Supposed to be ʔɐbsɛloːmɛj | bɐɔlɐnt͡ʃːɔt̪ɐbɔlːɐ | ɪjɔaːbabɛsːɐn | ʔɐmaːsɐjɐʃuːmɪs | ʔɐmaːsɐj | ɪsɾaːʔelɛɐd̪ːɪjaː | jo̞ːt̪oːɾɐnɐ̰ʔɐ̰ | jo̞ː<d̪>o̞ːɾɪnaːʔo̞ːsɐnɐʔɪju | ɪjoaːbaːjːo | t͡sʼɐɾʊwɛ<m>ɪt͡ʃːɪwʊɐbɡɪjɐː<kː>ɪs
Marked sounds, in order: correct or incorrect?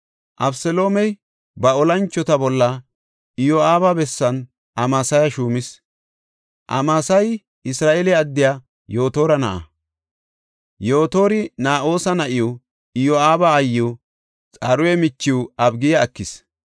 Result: incorrect: t̪, correct, correct

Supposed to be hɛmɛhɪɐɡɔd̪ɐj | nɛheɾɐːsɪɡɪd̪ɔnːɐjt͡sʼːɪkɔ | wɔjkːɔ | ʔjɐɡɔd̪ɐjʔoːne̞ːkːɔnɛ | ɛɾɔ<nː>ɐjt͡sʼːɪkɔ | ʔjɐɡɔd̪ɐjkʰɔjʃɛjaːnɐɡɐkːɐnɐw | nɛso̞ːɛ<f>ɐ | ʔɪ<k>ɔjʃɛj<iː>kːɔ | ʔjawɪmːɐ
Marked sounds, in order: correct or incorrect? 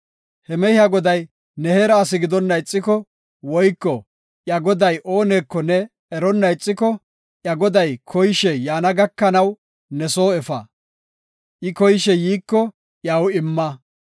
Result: correct, correct, correct, correct

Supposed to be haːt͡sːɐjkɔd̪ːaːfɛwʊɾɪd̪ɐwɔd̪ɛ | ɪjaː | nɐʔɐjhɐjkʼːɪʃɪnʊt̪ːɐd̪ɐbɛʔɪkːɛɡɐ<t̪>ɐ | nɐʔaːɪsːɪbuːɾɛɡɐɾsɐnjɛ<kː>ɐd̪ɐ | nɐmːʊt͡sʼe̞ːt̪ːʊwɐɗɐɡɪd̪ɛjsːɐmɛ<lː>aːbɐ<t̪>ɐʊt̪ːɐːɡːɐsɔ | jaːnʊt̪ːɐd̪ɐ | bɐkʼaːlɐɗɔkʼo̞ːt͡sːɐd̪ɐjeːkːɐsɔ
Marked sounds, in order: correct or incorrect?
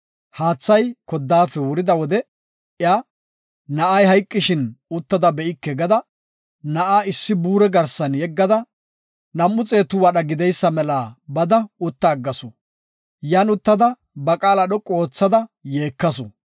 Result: incorrect: d̪, incorrect: ɡː, incorrect: l, incorrect: d̪

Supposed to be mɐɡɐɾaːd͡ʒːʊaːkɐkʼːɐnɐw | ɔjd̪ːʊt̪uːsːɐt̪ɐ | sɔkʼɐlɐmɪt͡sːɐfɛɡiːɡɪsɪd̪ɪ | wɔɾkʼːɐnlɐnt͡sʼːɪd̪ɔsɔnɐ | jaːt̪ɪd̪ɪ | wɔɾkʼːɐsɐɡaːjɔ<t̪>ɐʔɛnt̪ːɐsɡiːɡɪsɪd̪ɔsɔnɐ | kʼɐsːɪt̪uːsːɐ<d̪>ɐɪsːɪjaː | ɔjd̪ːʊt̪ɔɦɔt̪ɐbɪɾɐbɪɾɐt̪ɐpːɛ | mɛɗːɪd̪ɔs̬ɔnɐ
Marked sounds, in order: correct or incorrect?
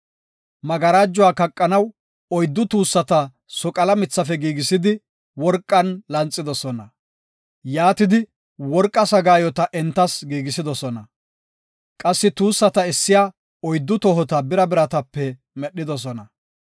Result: correct, incorrect: t̪

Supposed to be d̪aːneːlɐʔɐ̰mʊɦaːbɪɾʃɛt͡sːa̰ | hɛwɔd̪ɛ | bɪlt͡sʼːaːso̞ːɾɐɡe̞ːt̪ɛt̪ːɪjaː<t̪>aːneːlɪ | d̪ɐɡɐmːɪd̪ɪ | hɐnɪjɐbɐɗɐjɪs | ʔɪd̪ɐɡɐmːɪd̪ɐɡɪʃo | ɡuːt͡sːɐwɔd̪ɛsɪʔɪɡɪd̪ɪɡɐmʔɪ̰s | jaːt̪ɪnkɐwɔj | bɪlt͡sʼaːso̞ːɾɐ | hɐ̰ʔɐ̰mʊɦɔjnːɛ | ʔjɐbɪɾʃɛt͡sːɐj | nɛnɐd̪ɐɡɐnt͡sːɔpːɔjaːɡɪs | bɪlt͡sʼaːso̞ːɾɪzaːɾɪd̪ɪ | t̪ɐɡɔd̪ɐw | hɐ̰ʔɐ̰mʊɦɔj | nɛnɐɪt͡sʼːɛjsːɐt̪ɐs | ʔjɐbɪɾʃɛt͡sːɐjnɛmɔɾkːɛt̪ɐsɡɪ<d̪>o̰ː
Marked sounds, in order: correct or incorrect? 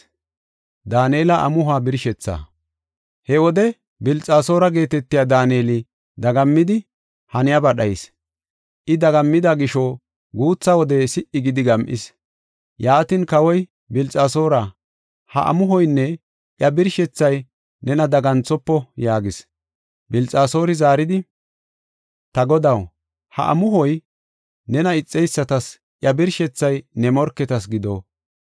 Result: incorrect: d̪, correct

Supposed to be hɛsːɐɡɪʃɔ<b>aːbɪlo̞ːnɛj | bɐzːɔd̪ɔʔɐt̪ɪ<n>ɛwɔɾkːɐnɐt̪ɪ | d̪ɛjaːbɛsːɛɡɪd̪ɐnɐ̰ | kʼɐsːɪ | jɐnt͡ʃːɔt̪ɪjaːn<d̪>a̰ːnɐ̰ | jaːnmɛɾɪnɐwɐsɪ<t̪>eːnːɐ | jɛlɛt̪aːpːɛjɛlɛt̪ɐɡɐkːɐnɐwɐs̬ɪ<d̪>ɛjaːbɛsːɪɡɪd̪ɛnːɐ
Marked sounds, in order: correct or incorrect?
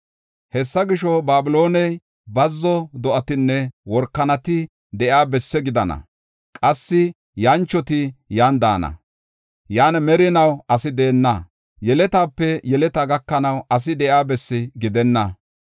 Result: correct, incorrect: nː, correct, incorrect: d̪, correct

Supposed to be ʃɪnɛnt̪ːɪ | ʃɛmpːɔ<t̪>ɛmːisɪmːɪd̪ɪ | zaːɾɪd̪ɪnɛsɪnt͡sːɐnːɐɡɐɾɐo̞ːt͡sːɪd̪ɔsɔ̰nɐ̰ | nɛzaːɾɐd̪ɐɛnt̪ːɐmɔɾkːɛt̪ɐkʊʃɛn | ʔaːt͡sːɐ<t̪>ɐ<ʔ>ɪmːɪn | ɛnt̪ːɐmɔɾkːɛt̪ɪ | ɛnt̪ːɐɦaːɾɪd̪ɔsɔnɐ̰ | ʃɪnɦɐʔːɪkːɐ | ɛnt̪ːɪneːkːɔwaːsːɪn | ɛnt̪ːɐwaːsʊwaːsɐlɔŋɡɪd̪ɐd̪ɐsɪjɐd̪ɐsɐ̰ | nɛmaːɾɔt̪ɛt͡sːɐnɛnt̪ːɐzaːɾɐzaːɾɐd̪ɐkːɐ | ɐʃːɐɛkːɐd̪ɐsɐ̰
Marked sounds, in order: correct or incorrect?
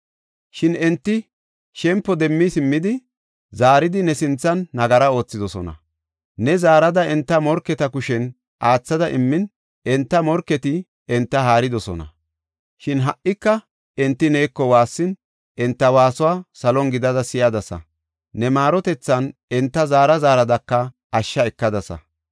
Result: incorrect: d̪, incorrect: d̪, correct

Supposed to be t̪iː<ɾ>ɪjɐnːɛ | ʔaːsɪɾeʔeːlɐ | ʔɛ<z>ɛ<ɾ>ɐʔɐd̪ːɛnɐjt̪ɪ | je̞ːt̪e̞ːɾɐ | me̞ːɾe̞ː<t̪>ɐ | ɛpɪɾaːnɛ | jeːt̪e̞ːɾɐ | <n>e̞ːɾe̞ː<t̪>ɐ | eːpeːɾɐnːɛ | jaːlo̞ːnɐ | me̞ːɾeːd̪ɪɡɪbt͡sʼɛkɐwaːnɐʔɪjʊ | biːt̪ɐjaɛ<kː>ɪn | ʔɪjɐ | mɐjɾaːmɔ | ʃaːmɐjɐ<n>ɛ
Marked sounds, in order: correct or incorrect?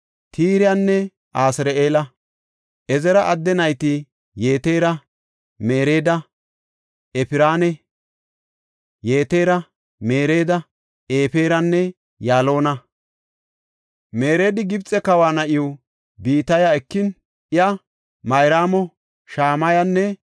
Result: correct, correct, correct, incorrect: d̪, incorrect: m, incorrect: d̪, correct, incorrect: nː

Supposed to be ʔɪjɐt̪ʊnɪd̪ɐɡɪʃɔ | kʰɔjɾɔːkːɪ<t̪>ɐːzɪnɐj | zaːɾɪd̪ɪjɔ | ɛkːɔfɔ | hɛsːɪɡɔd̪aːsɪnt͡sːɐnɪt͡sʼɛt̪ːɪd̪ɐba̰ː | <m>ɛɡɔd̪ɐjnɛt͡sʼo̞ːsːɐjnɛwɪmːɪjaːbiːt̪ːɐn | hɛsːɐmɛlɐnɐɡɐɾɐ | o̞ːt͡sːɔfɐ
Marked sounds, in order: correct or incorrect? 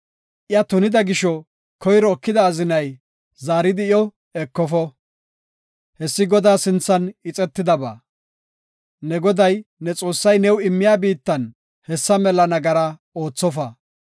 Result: incorrect: d̪, incorrect: n

